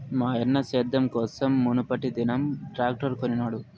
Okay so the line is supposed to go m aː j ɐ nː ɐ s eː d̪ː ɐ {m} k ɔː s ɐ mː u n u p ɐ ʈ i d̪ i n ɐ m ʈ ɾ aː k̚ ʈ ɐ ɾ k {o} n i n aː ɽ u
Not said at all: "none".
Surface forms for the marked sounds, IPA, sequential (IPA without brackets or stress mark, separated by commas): m, o